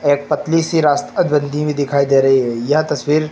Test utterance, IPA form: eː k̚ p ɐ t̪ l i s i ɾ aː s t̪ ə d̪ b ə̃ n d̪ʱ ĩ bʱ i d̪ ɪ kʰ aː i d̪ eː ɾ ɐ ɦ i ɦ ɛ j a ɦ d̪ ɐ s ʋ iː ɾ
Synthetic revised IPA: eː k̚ p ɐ t̪ l i s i ɾ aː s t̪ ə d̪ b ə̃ n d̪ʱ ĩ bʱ i d̪ ɪ kʰ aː i d̪ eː ɾ ɐ ɦ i ɦ ɛ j ɐ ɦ t̪ ɐ s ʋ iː ɾ